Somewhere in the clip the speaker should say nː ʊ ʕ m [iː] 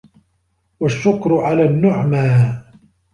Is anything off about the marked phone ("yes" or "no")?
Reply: yes